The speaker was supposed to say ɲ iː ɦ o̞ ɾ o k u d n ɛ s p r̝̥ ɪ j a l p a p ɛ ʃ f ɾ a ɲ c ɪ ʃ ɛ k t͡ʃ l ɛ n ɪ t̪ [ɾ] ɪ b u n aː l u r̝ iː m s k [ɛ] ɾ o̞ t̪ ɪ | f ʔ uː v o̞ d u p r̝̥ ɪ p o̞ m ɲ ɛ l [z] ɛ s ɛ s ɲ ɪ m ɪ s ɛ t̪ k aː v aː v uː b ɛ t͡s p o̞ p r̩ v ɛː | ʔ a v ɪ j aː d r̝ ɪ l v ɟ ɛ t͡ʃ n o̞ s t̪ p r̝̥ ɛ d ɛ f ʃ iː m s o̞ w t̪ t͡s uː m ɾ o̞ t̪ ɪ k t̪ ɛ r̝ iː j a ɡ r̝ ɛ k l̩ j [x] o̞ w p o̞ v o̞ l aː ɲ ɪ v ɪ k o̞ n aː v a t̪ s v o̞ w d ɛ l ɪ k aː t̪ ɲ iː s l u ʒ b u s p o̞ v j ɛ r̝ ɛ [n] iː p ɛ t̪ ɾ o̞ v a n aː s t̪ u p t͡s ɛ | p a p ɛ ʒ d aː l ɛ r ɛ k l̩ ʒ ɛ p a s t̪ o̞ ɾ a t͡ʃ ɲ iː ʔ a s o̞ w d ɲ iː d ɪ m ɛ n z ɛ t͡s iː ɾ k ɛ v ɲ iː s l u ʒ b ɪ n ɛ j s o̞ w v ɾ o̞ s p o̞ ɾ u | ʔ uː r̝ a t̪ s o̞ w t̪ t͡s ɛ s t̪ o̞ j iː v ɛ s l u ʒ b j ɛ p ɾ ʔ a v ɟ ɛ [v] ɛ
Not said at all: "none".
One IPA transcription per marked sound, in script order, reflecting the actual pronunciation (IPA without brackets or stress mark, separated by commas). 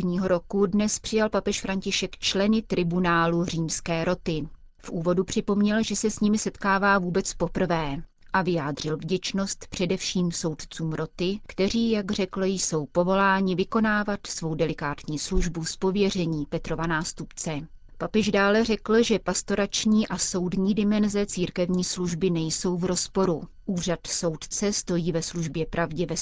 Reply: ɾ, ɛː, ʒ, s, ɲ, v